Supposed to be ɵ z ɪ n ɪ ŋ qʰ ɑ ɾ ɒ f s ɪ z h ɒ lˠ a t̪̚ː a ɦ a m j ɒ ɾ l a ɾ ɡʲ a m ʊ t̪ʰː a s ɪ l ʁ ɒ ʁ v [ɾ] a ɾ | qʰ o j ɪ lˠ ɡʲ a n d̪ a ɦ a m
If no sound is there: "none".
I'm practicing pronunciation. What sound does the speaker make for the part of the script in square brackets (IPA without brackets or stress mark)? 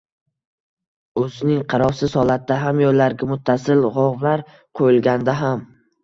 l